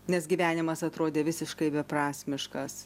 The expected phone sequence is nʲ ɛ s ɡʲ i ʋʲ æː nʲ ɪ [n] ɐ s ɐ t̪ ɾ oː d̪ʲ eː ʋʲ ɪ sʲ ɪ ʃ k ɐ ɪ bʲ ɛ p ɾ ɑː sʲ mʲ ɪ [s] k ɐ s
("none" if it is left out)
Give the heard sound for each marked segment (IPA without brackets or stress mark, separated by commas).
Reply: m, ʃ